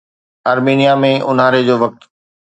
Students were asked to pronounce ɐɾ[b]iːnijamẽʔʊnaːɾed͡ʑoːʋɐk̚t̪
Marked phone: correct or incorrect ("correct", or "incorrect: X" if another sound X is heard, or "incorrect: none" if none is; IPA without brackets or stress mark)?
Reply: incorrect: m